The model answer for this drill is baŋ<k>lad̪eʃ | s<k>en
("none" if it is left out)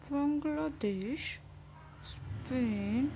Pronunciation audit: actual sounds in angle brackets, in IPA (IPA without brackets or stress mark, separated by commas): ɡ, p